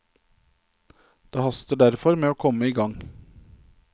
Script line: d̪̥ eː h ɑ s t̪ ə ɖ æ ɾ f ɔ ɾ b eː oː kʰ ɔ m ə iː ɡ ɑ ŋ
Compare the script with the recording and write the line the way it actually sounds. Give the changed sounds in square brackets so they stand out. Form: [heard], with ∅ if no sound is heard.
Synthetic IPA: d̪̥ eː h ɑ s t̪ ə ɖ æ ɾ f ɔ ɾ [m] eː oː kʰ ɔ m ə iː ɡ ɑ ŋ

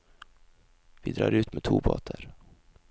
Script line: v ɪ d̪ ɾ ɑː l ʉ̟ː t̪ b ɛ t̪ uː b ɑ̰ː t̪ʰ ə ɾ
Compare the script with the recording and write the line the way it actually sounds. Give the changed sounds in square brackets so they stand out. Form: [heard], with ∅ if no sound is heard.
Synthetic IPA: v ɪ d̪ ɾ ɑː [ɾ] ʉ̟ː t̪ [m] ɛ [t̪ʰ] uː b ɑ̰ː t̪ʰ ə ɾ

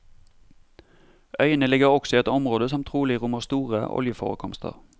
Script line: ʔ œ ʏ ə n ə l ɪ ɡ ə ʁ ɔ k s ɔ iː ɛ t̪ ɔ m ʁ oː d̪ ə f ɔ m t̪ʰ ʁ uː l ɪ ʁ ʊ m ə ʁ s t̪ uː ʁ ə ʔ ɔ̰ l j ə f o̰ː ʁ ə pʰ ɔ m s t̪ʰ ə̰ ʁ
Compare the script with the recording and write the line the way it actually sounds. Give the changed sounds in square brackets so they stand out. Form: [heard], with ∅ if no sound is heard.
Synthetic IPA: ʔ œ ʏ ə n ə l ɪ ɡ ə ʁ ɔ k s ɔ iː ɛ t̪ ɔ m ʁ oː d̪ ə [s] ɔ m t̪ʰ ʁ uː l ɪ ʁ ʊ m ə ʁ s t̪ uː ʁ ə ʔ ɔ̰ l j ə f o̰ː ʁ ə [kʰ] ɔ m s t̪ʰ ə̰ ʁ

